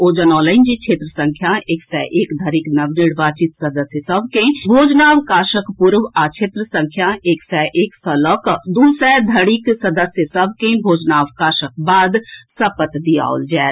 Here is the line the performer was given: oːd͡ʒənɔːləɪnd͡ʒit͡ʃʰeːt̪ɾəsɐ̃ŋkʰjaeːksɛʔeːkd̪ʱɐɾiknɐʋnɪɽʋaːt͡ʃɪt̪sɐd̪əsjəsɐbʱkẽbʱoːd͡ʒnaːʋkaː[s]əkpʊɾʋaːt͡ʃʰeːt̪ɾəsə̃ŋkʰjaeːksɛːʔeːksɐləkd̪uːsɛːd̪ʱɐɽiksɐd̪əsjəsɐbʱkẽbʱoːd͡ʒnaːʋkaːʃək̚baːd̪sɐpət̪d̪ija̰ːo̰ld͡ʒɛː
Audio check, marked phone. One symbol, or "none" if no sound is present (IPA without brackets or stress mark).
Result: ʃ